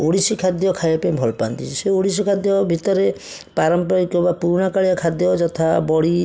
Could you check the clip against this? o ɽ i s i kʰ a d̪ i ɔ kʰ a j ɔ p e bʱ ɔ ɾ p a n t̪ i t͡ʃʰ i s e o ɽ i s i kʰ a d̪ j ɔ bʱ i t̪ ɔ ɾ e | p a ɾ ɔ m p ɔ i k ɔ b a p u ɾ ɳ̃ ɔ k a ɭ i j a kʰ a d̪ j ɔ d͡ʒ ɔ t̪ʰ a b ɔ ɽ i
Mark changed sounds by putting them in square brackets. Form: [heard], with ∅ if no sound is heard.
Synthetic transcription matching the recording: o ɽ i s i kʰ a d̪ [j] ɔ kʰ a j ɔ p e bʱ ɔ [l] p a n t̪ i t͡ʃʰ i s e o ɽ i s i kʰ a d̪ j ɔ bʱ i t̪ ɔ ɾ e | p a ɾ ɔ m p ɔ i k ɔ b a p u ɾ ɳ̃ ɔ k a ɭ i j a kʰ a d̪ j ɔ d͡ʒ ɔ t̪ʰ a b ɔ ɽ i